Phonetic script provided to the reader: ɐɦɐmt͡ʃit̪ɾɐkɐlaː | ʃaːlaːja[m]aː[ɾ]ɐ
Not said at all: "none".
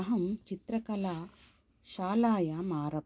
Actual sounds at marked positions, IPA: m, ɾ

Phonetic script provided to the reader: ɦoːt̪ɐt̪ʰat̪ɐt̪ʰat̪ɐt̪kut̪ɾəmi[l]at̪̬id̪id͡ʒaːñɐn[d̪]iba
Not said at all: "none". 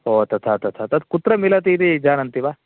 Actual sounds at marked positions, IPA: l, t̪

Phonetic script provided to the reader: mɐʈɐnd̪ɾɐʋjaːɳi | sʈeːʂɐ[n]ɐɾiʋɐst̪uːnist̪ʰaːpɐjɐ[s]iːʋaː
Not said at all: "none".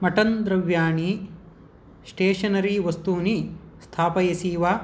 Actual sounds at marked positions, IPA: n, s

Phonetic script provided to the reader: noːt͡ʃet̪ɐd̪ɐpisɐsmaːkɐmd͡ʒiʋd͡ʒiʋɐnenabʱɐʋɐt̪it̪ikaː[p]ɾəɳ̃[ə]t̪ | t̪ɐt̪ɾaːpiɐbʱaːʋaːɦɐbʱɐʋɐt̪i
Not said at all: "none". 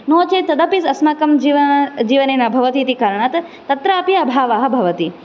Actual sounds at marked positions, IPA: none, a

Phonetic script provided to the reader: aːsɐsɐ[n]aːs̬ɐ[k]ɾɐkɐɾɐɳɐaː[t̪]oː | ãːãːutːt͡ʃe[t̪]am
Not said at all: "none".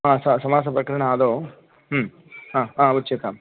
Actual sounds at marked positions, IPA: m, p, d̪, t̪

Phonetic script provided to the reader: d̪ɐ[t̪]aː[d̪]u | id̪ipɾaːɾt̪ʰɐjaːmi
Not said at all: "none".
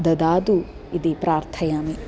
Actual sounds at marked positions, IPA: d̪, d̪

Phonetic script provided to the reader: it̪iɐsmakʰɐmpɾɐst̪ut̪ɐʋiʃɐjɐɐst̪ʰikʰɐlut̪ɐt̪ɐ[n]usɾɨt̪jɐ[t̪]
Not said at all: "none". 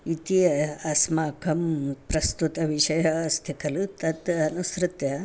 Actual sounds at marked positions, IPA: n, none

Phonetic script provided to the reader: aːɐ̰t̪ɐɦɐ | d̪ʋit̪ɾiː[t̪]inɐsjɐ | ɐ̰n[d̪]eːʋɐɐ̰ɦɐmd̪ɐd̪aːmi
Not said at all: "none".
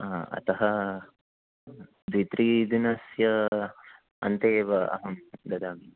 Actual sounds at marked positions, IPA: d̪, t̪

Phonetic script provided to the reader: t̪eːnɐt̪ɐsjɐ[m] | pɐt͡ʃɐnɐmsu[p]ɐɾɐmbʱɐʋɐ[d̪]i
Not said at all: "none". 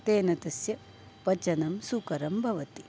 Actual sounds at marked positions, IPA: none, k, t̪

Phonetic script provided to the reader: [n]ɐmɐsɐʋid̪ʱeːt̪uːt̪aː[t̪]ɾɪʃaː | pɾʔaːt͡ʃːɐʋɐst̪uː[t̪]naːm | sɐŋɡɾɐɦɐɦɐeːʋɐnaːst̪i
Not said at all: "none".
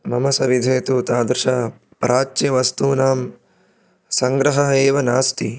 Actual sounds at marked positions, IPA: m, d̪, none

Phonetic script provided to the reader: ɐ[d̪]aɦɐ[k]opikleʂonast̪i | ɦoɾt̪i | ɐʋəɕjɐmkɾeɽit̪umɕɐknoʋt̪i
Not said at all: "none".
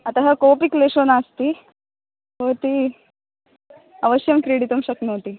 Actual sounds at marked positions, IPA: t̪, k

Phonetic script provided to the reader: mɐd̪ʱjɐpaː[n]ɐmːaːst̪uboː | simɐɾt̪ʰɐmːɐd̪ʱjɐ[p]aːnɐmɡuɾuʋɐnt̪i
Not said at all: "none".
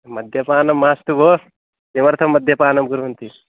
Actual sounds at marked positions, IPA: n, p

